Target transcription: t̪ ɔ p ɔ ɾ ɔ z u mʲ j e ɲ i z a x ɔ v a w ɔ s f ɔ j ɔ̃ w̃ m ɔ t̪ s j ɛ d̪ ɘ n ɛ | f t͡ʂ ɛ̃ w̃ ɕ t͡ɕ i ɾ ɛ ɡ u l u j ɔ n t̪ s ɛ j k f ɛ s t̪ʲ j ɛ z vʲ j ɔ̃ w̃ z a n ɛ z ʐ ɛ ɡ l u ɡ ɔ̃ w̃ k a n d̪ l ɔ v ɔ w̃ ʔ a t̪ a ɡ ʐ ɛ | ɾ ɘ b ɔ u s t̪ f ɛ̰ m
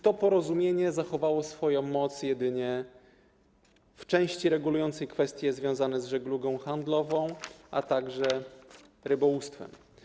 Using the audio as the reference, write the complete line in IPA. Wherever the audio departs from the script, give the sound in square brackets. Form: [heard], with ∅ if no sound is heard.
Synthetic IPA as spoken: t̪ ɔ p ɔ ɾ ɔ z u mʲ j e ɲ [ɛ] z a x ɔ v a w ɔ s f ɔ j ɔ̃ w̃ m ɔ t̪ s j ɛ d̪ ɘ [ɲ] ɛ | f t͡ʂ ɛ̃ w̃ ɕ t͡ɕ i ɾ ɛ ɡ u l u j ɔ n t̪ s ɛ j k f ɛ s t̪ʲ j ɛ z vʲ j ɔ̃ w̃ z a n ɛ z ʐ ɛ ɡ l u ɡ ɔ̃ w̃ [x] a n d̪ l ɔ v [ɔ̃] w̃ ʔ a t̪ a ɡ ʐ ɛ | ɾ ɘ b ɔ u s t̪ f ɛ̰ m